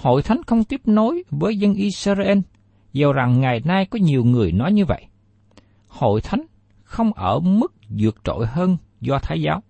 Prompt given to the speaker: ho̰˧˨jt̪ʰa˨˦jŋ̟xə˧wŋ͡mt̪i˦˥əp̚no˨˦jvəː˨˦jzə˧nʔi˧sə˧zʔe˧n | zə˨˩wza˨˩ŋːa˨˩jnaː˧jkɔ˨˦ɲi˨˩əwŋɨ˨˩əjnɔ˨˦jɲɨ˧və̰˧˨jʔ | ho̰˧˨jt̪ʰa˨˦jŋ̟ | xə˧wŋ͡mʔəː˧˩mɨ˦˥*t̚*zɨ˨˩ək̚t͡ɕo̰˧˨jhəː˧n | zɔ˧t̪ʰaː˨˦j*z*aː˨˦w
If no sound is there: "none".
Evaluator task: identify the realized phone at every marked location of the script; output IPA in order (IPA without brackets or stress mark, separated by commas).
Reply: k̚, z